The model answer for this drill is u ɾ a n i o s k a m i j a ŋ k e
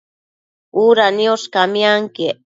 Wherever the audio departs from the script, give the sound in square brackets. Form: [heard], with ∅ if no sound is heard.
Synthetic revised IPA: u ɾ a n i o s k a m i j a ŋ k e